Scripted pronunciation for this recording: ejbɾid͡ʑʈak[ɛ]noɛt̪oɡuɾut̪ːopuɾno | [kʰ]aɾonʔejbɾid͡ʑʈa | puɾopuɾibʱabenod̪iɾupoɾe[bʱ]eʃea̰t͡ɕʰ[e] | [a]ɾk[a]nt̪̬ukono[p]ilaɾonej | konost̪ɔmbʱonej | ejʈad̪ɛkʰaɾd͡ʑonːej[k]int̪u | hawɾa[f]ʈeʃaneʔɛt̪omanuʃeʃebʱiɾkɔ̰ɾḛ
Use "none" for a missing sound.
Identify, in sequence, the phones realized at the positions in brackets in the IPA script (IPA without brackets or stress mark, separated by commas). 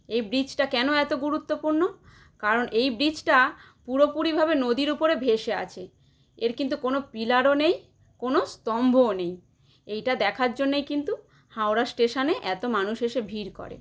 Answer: ɛ, k, bʱ, e, e, i, p, k, s